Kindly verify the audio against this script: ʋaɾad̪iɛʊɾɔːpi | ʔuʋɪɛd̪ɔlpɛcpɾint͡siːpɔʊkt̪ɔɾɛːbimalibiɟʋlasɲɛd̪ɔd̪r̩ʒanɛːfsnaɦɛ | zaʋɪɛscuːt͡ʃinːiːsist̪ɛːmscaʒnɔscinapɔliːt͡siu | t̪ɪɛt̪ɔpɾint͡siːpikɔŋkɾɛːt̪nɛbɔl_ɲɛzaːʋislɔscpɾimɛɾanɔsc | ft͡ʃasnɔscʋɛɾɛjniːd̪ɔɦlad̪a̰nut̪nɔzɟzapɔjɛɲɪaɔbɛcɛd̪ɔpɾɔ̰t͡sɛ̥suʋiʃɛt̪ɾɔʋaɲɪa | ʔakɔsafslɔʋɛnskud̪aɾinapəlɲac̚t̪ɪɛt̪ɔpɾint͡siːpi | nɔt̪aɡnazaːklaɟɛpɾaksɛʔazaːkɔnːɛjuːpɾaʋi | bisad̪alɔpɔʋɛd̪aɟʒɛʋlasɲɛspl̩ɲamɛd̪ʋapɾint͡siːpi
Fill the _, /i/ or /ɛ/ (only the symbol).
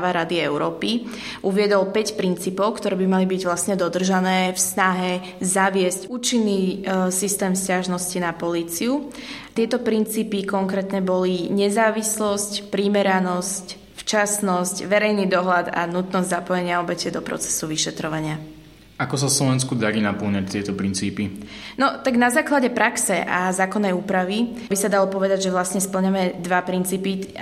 i